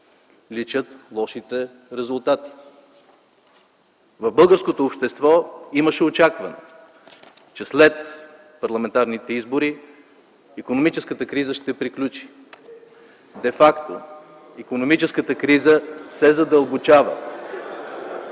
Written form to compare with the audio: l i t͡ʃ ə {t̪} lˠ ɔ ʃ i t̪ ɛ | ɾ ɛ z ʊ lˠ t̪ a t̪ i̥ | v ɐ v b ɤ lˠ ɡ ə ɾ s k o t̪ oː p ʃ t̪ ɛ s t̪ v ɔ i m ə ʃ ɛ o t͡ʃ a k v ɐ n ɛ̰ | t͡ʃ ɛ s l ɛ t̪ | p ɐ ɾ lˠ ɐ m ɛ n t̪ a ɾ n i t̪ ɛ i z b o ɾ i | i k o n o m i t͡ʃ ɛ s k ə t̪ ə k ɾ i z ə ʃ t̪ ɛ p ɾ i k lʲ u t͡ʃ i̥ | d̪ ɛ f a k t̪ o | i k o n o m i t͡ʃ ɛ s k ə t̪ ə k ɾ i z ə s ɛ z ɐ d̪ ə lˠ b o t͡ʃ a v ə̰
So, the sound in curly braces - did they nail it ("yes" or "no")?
yes